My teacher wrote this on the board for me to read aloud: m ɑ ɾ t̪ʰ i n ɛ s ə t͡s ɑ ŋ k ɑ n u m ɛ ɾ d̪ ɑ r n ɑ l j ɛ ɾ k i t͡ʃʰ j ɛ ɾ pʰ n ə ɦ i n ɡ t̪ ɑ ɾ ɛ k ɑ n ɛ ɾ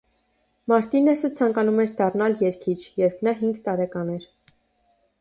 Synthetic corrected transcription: m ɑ ɾ t̪ i n ɛ s ə t͡sʰ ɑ ŋ k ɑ n u m ɛ ɾ d̪ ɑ r n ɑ l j ɛ ɾ kʰ i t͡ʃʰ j ɛ ɾ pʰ n ɑ ɦ i ŋ ɡ t̪ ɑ ɾ ɛ k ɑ n ɛ ɾ